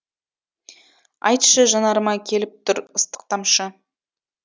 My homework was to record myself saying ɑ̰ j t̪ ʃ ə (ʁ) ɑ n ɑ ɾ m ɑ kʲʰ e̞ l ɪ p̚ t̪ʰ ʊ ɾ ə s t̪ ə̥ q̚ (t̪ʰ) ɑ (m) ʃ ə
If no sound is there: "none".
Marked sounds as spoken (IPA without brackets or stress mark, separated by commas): ʒ, t̪, m